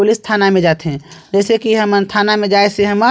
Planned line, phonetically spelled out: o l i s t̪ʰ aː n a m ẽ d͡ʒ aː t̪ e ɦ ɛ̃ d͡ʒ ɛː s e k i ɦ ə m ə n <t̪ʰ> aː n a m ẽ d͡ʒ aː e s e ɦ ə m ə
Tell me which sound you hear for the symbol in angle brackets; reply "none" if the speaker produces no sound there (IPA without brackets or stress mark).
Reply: t̪ʰ